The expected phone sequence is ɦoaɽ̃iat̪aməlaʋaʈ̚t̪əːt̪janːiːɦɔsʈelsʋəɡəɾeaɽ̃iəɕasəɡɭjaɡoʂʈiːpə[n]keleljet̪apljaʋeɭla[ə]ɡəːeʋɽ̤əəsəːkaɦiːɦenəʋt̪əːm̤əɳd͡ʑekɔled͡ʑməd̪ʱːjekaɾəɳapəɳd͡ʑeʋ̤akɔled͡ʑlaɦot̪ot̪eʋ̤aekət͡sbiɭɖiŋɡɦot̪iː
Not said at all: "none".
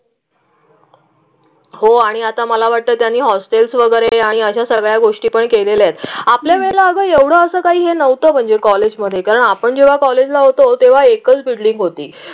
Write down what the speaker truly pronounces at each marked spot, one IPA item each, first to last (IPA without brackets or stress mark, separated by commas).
ɳ, ə